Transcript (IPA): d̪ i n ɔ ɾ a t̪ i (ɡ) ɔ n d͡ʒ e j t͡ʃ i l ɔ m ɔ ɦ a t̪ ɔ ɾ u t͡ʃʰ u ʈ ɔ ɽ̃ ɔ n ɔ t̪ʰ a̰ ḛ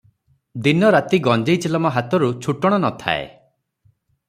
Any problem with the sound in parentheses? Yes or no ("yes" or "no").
no